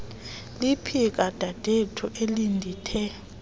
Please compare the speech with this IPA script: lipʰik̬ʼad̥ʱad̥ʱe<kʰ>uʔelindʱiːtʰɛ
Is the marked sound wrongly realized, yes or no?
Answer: yes